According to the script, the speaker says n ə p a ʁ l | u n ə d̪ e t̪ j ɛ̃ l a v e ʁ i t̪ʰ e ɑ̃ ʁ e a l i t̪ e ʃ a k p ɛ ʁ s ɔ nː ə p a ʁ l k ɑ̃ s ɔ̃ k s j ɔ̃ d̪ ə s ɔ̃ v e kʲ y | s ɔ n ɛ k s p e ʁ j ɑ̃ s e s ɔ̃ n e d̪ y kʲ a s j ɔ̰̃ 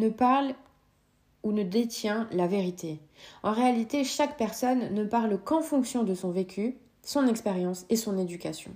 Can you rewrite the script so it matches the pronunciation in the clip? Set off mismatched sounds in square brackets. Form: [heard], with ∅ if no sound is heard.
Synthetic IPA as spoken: n ə p a ʁ l | u n ə d̪ e t̪ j ɛ̃ l a v e ʁ i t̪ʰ e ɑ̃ ʁ e a l i t̪ e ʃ a k p ɛ ʁ s ɔ nː ə p a ʁ l k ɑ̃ [f] ɔ̃ k s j ɔ̃ d̪ ə s ɔ̃ v e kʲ y | s [ɔ̃] n ɛ k s p e ʁ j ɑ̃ s e s ɔ̃ n e d̪ y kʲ a s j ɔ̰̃